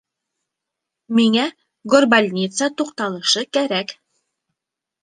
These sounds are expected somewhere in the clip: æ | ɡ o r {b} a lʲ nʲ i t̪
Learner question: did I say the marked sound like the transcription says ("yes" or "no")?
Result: yes